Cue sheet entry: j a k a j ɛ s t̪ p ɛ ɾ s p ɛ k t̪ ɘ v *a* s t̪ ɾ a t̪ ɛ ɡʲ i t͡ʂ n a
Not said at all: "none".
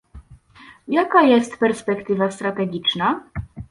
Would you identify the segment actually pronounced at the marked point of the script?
a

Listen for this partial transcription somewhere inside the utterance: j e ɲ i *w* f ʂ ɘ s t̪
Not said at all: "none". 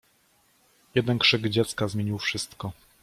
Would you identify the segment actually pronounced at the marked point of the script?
w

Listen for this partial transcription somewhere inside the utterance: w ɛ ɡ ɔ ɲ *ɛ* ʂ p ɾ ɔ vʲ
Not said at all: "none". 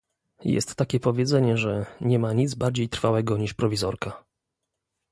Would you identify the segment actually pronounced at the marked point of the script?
i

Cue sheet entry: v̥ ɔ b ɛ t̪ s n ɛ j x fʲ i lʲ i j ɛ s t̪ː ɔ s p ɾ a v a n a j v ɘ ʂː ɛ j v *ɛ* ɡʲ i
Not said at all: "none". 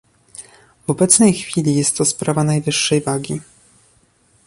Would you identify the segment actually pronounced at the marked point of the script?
a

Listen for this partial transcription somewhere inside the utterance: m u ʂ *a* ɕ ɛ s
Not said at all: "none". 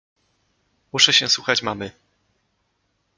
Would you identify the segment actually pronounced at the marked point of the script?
ɛ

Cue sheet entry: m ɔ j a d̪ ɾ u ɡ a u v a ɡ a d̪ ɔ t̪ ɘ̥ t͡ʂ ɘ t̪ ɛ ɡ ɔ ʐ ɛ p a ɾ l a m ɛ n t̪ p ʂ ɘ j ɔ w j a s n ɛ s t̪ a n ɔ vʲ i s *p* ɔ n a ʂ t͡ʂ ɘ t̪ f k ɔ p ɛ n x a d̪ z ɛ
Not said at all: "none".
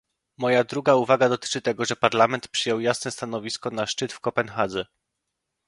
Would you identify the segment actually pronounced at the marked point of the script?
k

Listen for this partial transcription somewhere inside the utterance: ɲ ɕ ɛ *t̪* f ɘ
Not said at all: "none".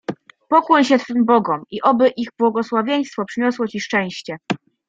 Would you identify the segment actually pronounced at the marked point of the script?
t̪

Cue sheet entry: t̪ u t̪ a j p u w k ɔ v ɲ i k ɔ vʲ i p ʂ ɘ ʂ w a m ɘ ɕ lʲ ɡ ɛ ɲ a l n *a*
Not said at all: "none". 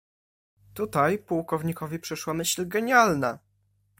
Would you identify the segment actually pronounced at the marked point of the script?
a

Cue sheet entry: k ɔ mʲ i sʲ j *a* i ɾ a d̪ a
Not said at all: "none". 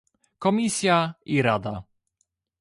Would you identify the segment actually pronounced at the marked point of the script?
a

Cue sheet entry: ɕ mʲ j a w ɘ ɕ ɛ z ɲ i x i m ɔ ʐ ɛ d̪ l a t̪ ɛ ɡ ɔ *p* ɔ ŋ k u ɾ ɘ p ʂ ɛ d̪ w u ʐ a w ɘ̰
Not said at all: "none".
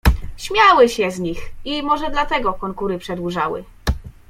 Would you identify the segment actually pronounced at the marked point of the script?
k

